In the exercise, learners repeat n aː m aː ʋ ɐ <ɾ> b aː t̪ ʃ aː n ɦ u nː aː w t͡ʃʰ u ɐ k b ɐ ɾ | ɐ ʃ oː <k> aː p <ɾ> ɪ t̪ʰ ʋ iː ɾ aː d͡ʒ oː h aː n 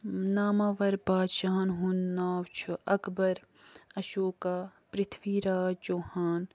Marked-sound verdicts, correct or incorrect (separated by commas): correct, correct, correct